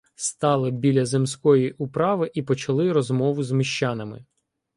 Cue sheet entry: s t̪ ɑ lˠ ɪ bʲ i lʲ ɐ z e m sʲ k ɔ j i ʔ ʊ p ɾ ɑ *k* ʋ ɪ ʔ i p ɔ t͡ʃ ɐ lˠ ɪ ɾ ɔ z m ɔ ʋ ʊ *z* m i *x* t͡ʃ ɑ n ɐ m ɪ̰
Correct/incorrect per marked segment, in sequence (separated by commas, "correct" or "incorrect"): incorrect, correct, incorrect